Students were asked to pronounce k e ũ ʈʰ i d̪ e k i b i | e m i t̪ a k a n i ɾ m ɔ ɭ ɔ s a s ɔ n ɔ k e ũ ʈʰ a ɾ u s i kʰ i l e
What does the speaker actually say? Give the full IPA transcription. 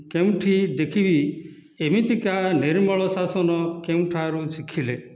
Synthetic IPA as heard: k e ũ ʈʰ i d̪ e kʰ i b i | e m i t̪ i k a n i ɾ m ɔ ɭ ɔ s a s ɔ n ɔ k e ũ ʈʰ a ɾ u s i kʰ i l e